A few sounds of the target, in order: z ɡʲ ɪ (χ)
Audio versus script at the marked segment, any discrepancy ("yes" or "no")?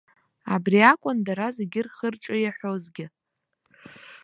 yes